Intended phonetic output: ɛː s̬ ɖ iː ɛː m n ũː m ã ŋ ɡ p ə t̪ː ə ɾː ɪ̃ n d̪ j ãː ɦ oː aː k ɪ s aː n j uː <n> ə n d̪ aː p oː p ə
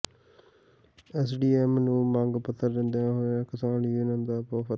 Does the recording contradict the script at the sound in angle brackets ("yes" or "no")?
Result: no